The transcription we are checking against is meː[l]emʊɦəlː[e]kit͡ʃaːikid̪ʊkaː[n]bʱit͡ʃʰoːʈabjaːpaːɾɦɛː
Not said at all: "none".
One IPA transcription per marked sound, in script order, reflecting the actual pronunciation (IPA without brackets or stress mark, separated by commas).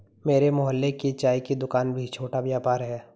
ɾ, e, n